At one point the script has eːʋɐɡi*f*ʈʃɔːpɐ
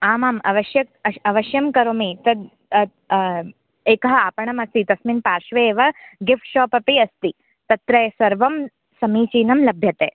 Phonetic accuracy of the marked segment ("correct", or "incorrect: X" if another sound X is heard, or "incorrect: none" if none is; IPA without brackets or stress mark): correct